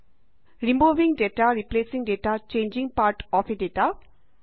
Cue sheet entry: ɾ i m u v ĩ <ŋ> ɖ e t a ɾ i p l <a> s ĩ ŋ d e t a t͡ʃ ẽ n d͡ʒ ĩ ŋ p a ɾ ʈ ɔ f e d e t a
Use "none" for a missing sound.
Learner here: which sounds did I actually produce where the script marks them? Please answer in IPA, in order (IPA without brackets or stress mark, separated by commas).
ŋ, e